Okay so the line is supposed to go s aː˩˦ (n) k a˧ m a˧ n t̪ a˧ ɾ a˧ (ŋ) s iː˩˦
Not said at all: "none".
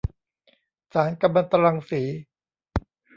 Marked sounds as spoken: n, ŋ

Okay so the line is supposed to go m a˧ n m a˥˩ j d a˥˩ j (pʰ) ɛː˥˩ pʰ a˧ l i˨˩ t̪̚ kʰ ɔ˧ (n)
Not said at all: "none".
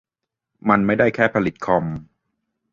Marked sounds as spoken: kʰ, m

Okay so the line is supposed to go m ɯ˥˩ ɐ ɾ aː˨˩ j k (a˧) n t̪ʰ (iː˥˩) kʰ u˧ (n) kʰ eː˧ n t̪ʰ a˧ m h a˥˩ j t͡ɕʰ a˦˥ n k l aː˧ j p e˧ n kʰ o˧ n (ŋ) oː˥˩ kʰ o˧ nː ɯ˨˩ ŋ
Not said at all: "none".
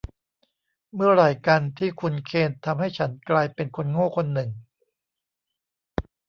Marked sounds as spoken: a˧, iː˥˩, n, ŋ

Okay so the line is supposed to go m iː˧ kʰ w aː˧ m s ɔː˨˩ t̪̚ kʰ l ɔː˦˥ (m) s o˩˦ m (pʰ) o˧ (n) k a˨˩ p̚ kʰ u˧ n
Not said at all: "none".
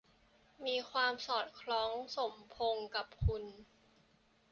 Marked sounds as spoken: ŋ, pʰ, ŋ

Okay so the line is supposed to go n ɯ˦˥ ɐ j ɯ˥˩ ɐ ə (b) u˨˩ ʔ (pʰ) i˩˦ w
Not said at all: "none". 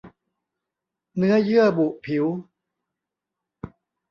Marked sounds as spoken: b, pʰ

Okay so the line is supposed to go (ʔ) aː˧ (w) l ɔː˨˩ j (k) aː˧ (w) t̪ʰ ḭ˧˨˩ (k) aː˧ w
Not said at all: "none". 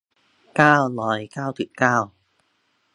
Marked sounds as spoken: k, w, k, w, k

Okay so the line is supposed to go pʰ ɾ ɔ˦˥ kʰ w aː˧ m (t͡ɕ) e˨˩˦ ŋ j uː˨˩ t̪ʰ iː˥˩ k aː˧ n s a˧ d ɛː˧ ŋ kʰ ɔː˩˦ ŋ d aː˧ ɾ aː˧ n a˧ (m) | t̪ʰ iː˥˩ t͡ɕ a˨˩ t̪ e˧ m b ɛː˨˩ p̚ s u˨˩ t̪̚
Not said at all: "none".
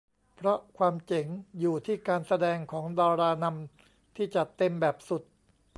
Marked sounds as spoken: t͡ɕ, m

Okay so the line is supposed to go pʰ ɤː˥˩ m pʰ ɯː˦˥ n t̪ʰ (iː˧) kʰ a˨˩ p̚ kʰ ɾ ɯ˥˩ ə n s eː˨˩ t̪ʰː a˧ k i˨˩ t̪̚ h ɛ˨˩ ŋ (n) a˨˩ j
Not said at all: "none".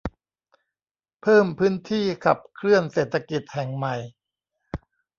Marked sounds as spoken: iː˥˩, m

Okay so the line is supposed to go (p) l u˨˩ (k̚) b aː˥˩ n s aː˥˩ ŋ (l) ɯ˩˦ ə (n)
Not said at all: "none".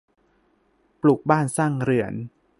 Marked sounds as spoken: p, k̚, ɾ, n

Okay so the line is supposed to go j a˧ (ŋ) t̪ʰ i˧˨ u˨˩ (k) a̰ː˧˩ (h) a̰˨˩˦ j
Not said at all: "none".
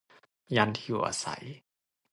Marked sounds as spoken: n, ʔ, s

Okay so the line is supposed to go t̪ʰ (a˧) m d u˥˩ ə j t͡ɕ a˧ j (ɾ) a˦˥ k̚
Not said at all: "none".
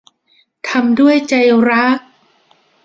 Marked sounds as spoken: a˧, ɾ

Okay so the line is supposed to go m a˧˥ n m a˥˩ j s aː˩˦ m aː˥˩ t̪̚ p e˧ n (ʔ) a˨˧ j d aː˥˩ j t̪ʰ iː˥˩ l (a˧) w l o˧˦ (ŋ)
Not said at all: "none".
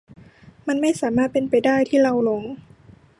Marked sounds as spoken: p, a˧, ŋ

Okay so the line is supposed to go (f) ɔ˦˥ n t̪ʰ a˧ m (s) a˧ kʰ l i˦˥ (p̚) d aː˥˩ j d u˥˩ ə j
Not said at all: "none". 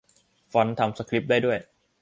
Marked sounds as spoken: f, s, p̚

